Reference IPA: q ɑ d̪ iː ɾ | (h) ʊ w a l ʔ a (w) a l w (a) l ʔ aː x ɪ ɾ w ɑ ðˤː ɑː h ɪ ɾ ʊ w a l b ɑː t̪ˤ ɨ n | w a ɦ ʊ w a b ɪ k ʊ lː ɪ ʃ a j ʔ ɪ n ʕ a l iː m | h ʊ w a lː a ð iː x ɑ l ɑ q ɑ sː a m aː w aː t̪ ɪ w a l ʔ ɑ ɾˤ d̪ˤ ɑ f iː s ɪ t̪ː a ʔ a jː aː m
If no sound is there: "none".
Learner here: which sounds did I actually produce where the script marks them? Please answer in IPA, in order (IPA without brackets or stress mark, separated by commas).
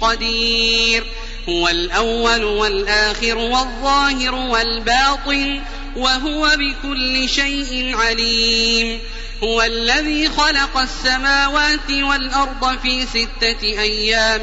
h, wː, a